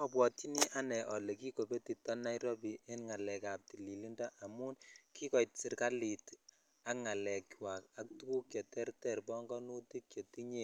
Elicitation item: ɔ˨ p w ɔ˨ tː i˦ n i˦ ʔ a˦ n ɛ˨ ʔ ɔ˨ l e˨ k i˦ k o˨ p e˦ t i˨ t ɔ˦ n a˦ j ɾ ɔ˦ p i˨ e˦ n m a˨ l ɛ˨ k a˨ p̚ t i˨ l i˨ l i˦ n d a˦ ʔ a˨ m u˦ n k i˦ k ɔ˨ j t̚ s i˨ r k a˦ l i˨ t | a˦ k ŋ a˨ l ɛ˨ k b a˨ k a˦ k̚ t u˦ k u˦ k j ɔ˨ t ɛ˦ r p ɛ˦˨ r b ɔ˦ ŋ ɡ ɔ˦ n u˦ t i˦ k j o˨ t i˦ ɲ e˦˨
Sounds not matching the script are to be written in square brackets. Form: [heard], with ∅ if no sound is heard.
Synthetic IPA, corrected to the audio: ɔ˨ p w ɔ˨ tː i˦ n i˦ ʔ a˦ n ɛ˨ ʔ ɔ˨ l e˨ k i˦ k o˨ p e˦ t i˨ t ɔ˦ n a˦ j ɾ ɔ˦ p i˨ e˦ n [ŋ] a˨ l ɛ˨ k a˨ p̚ t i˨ l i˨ l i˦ n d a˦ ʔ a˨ m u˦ n k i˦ k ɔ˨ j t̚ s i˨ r k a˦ l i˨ t | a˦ k ŋ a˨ l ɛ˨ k [w] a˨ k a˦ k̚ t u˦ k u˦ k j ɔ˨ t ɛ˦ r [t] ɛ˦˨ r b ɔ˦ ŋ ɡ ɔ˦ n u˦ t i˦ k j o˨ t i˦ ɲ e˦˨